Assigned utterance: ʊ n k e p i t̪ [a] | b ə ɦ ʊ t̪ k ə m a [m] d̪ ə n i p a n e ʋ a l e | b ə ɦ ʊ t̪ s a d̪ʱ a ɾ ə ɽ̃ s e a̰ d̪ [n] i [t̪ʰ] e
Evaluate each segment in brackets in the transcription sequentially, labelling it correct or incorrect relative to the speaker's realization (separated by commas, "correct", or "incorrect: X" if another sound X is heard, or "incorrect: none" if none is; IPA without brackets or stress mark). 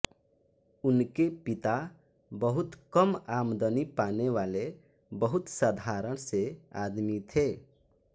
correct, correct, incorrect: m, correct